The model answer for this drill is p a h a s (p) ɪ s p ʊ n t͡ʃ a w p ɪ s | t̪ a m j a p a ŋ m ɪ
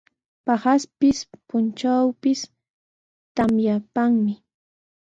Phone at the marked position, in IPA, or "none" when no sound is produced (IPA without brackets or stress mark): p